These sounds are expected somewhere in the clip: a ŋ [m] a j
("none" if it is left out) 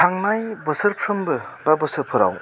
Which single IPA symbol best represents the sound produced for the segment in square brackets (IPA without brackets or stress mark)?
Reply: n